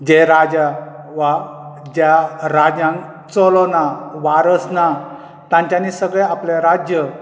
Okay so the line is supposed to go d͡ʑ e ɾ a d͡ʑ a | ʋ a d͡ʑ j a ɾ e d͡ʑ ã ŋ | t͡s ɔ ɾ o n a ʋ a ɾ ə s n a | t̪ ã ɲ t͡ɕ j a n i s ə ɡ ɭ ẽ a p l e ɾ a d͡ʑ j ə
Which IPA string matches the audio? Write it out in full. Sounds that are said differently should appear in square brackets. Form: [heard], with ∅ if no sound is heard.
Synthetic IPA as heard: d͡ʑ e ɾ a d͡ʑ a | ʋ a d͡ʑ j a ɾ [a] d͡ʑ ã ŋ | t͡s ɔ [l] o n a ʋ a ɾ ə s n a | t̪ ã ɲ t͡ɕ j a n i s ə ɡ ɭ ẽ a p l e ɾ a d͡ʑ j ə